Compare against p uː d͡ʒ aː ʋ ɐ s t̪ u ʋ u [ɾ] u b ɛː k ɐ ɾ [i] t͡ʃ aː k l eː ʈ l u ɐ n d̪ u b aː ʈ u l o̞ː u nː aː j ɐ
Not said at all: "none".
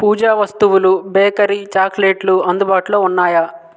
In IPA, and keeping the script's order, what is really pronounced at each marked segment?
l, i

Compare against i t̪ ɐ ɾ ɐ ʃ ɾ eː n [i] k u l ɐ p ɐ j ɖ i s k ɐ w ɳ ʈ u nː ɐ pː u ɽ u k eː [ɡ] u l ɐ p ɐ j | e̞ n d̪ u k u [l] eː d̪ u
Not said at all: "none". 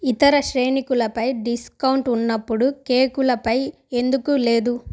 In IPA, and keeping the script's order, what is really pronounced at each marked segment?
i, k, l

